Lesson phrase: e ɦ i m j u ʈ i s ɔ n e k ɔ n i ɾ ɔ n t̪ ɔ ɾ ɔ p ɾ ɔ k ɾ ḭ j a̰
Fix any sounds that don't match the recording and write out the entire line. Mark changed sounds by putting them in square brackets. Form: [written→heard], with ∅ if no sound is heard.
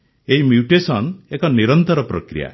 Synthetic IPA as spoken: e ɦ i m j u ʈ [i→e] s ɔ n e k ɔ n i ɾ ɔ n t̪ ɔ ɾ ɔ p ɾ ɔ k ɾ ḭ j a̰